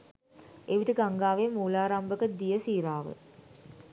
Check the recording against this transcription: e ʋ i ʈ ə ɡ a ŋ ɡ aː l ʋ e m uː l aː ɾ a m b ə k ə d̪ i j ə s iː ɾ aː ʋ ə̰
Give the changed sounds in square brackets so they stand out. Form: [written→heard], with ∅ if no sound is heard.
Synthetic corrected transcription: e ʋ i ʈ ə ɡ a ŋ ɡ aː [l→∅] ʋ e m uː l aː ɾ a m b ə k ə d̪ i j ə s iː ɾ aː ʋ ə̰